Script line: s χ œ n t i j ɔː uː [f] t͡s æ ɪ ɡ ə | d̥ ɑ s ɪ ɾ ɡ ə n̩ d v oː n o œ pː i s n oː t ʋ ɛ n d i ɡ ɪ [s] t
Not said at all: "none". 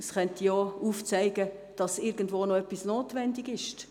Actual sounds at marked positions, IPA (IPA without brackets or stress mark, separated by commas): f, ʃ